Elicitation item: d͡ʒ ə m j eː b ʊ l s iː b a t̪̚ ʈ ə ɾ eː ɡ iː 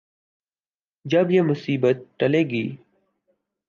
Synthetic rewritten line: d͡ʒ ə b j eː m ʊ s iː b ə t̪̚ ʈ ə l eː ɡ iː